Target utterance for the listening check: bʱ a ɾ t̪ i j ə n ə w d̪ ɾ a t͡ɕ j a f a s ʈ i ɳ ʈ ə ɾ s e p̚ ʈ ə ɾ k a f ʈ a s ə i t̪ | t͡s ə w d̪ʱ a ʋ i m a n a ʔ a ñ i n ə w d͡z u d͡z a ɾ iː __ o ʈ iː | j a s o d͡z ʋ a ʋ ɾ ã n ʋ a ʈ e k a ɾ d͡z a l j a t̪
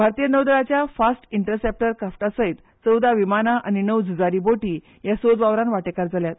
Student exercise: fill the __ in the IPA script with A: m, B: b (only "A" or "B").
B